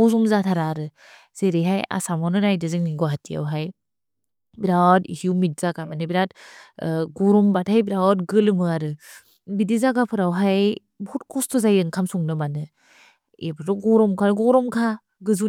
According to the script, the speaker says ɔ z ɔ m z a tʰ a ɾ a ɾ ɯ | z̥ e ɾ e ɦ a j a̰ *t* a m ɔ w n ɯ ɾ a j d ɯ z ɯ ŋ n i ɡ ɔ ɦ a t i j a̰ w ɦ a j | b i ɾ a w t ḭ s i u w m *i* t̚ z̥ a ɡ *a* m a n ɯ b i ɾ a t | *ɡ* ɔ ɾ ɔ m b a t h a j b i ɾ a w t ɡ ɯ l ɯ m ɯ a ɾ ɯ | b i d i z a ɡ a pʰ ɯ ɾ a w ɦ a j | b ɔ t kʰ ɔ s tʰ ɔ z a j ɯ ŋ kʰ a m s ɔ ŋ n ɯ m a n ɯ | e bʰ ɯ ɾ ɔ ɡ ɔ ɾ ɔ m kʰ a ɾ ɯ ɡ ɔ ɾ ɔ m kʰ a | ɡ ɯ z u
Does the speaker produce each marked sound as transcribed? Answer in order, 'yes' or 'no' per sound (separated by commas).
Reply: no, yes, yes, yes